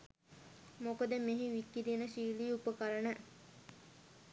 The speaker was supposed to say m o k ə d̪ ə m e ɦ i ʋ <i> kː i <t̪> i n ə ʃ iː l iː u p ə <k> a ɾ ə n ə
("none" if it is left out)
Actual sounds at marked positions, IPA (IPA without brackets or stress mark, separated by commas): i, d̪, k